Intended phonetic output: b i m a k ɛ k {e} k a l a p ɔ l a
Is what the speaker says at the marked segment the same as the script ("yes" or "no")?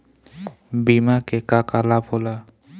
no